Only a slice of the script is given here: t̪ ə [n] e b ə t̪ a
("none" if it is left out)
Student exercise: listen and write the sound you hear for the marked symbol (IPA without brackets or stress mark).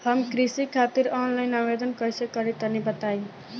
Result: n